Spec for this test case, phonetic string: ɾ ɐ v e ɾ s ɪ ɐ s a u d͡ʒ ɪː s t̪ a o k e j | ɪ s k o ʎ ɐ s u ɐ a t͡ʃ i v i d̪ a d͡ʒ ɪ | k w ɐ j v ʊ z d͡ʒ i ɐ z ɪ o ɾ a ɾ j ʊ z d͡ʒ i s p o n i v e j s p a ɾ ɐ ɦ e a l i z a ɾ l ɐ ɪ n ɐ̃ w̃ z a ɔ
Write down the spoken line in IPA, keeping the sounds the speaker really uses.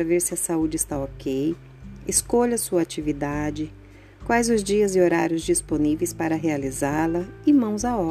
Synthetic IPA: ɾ ɐ v e ɾ s ɪ ɐ s a u d͡ʒ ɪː s t̪ a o k e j | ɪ s k o ʎ ɐ s u ɐ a t͡ʃ i v i d̪ a d͡ʒ ɪ | k w a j z ʊ z d͡ʒ i ɐ z ɪ o ɾ a ɾ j ʊ z d͡ʒ i s p o n i v e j s p a ɾ ɐ ɦ e a l i z a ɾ l ɐ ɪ m ɐ̃ w̃ z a ɔ